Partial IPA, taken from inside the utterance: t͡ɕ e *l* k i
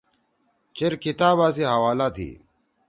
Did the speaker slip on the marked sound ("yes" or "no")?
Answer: yes